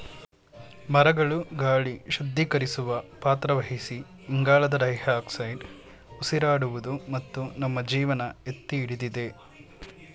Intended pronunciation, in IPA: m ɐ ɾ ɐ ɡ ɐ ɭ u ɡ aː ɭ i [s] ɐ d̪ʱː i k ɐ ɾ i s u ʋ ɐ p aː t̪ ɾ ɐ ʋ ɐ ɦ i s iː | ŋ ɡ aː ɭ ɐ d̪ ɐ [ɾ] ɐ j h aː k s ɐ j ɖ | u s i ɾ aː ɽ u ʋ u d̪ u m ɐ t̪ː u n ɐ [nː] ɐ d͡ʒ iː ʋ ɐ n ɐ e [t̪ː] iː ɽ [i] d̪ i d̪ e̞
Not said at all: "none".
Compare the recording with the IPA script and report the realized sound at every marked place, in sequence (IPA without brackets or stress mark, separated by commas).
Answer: ʃ, ɾ, mː, t̪ː, i